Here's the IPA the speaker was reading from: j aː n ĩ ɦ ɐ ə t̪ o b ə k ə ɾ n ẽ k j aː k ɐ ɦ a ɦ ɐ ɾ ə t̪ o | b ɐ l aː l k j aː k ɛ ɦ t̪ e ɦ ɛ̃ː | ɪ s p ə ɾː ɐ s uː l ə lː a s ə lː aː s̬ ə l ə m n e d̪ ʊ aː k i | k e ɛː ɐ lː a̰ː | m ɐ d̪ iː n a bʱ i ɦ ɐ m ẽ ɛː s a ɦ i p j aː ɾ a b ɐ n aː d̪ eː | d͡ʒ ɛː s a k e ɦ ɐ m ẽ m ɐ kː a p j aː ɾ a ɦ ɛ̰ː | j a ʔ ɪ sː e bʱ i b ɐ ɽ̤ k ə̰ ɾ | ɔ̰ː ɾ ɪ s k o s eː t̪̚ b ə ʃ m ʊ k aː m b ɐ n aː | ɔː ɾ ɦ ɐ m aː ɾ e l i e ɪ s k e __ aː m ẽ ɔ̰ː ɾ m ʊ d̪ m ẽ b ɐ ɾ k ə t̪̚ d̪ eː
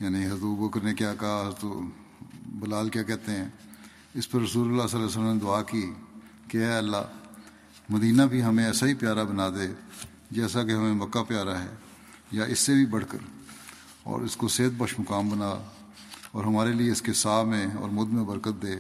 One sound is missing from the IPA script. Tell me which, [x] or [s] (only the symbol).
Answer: s